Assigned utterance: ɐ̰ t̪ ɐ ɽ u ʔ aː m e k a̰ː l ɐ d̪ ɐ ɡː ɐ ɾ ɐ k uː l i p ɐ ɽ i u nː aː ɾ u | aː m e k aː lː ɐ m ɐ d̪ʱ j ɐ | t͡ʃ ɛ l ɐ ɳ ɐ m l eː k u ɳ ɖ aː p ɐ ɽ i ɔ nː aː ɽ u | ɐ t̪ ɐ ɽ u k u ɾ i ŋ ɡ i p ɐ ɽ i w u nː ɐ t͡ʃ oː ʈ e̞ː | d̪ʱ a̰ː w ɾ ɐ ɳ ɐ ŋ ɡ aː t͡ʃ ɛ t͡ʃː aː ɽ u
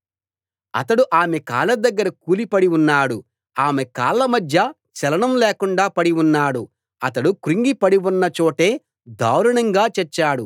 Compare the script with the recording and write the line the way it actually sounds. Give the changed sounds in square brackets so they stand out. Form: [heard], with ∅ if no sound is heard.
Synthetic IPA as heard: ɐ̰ t̪ ɐ ɽ u ʔ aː m e k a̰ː l ɐ d̪ ɐ ɡː ɐ ɾ ɐ k uː l i p ɐ ɽ i u nː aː [ɽ] u | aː m e k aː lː ɐ m ɐ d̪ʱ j ɐ | t͡ʃ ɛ l ɐ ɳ ɐ m l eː k u ɳ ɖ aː p ɐ ɽ i [u] nː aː ɽ u | ɐ t̪ ɐ ɽ u k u ɾ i ŋ ɡ i p ɐ ɽ i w u nː ɐ t͡ʃ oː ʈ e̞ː | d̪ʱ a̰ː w ɾ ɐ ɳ ɐ ŋ ɡ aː t͡ʃ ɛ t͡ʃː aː ɽ u